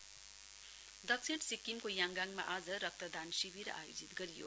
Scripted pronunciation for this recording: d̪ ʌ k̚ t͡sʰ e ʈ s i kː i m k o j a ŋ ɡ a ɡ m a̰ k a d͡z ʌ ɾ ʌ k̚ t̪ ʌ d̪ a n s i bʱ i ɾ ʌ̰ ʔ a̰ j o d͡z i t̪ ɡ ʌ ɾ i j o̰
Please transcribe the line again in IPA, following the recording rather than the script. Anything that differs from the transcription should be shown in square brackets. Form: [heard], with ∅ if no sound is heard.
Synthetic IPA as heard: d̪ ʌ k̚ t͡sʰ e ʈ s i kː i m k o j a ŋ ɡ a [ŋ] m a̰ [ʔ] a d͡z ʌ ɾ ʌ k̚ t̪ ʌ d̪ a n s i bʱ i ɾ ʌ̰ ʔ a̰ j o d͡z i t̪ ɡ ʌ ɾ i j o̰